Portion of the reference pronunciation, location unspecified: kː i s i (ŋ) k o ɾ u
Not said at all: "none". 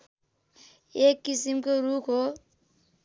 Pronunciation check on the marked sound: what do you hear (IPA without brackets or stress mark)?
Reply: m